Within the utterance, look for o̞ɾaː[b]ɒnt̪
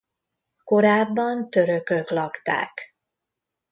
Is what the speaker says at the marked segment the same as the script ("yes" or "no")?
no